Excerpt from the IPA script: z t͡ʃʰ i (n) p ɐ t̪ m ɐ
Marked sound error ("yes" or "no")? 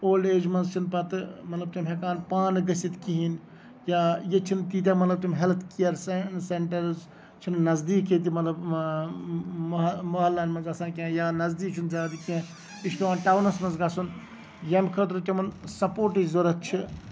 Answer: no